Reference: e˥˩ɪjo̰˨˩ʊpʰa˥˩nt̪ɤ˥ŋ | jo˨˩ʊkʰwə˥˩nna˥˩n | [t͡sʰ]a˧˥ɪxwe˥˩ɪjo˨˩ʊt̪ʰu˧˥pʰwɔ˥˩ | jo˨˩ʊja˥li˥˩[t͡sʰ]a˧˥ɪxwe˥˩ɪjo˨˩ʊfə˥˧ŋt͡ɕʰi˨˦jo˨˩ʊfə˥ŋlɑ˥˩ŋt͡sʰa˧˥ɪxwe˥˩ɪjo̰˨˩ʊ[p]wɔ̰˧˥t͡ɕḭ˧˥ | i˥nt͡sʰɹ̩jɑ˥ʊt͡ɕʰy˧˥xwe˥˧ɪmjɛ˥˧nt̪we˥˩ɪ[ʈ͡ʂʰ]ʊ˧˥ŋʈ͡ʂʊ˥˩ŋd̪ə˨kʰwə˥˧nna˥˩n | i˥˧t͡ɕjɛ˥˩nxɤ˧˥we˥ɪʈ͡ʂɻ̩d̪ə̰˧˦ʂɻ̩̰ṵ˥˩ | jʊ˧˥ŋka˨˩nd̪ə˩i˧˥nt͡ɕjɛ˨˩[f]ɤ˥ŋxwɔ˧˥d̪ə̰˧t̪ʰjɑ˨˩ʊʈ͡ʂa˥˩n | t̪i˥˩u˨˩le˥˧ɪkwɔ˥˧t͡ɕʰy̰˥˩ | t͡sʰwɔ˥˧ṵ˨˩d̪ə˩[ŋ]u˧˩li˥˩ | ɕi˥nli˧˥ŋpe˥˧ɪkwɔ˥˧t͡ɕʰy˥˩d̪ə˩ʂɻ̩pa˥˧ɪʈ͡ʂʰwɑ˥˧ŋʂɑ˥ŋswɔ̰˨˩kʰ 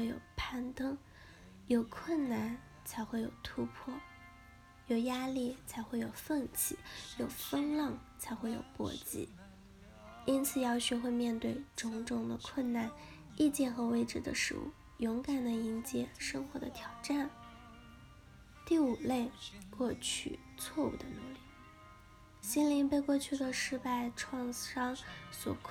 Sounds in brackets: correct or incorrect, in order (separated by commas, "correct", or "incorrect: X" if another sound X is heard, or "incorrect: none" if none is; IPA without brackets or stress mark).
correct, correct, correct, incorrect: ʈ͡ʂ, incorrect: ʂ, incorrect: n